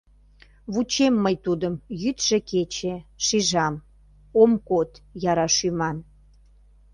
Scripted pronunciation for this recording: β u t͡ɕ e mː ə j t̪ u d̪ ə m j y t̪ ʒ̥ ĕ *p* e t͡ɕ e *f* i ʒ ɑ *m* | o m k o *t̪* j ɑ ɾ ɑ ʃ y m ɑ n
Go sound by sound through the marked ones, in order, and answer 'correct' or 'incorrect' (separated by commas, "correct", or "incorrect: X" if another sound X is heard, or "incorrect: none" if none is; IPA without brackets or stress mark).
incorrect: k, incorrect: ʃ, correct, correct